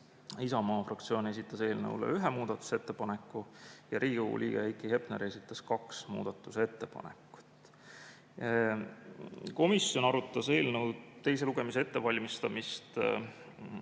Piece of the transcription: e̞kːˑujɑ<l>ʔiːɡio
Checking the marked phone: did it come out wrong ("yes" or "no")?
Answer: yes